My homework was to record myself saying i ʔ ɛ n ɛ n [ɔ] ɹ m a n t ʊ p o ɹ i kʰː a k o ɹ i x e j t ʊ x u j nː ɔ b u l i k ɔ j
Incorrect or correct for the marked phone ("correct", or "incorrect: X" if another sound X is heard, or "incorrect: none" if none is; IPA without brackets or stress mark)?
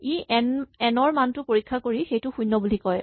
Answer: correct